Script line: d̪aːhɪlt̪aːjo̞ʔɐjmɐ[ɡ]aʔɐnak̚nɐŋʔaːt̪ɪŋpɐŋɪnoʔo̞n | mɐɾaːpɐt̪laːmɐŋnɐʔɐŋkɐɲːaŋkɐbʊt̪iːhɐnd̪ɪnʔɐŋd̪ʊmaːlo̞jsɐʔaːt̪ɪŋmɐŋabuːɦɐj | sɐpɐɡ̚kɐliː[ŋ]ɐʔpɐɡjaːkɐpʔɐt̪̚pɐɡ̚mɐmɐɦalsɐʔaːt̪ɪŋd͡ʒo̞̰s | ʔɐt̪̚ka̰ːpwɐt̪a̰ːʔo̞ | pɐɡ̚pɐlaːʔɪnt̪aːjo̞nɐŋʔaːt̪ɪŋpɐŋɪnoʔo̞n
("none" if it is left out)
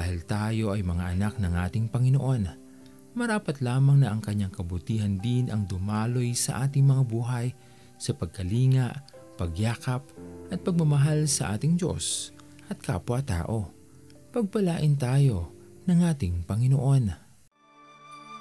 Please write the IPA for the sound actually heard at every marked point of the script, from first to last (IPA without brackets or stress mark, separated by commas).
ŋ, ŋ